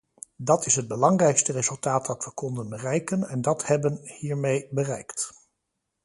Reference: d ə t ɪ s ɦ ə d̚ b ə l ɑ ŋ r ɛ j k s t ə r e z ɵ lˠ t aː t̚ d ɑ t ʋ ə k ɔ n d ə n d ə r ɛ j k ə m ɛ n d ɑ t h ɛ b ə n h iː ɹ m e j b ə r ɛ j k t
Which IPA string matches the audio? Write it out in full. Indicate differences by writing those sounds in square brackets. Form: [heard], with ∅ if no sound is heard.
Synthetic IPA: d [ɑ] t ɪ s ɦ ə d̚ b ə l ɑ ŋ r ɛ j k s t ə r e z ɵ lˠ t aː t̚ d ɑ t ʋ ə k ɔ n d ə n [b] ə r ɛ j k ə [n] ɛ n d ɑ t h ɛ b ə n h iː ɹ m e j b ə r ɛ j k t